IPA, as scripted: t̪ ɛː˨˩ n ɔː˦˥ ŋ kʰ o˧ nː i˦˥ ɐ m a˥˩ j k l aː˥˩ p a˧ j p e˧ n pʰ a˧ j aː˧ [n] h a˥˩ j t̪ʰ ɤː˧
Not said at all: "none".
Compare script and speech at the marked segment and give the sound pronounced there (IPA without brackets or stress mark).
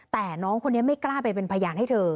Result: n